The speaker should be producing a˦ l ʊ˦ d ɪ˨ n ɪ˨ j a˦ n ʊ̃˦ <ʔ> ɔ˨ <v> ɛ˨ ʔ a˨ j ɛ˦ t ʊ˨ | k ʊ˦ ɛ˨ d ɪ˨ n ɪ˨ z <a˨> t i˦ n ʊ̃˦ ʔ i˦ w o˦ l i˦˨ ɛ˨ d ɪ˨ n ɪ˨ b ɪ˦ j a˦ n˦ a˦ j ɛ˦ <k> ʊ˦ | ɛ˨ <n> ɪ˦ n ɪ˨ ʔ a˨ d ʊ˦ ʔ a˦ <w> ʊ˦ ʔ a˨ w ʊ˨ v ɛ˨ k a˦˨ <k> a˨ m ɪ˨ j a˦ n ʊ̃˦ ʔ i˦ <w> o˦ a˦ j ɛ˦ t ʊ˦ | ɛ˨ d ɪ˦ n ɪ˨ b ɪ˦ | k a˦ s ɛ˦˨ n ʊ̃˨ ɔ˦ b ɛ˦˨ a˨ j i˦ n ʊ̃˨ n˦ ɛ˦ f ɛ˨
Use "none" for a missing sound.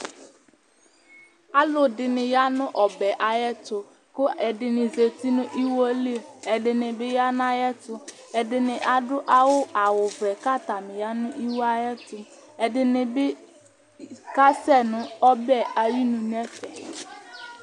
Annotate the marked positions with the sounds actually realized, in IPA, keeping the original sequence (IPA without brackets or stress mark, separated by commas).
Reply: ʔ, b, e˨, t, d, w, t, w